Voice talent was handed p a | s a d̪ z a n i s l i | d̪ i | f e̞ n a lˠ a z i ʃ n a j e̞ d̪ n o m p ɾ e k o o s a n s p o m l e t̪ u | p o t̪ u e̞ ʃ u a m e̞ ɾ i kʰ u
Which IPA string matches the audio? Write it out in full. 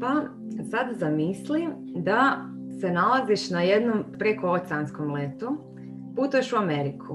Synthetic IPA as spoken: p a | s a d̪ z a m i s l i | d̪ a | s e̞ n a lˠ a z i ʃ n a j e̞ d̪ n o m p ɾ e k o o s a n s k o m l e t̪ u | p u t̪ u e̞ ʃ u a m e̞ ɾ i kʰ u